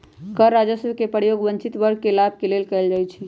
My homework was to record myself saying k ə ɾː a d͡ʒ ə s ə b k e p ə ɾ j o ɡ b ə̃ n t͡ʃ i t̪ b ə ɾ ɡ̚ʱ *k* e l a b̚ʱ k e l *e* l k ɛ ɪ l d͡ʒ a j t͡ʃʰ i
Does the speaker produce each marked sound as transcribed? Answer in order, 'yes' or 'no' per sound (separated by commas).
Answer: yes, yes